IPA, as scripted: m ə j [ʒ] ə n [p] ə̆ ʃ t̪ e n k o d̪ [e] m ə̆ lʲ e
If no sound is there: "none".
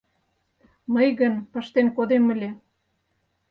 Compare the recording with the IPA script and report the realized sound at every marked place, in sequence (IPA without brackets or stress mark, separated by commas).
ɣ, p, e